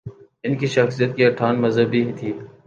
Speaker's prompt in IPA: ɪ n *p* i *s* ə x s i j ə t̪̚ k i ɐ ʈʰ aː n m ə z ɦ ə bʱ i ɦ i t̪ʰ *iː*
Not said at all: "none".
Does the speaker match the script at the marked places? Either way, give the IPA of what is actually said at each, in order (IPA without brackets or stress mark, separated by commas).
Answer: k, ʃ, iː